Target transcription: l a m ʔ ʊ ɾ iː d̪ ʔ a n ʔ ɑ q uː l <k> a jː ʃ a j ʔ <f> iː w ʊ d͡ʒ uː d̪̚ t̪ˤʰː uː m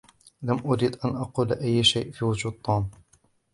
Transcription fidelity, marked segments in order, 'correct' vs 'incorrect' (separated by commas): incorrect, correct